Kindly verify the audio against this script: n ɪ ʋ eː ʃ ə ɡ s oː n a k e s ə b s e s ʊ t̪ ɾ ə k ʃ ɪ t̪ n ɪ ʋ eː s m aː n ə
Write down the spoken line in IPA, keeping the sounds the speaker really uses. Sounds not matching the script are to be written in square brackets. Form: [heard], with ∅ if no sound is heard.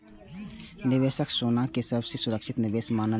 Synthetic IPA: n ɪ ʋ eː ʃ ə [k] s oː n a k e s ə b s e s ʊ [∅] ɾ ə k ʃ ɪ t̪ n ɪ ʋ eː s m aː n ə